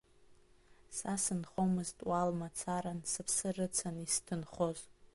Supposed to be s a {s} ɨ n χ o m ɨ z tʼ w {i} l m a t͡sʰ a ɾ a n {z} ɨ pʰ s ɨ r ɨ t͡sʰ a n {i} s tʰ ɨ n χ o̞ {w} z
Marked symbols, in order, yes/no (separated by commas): yes, no, no, yes, no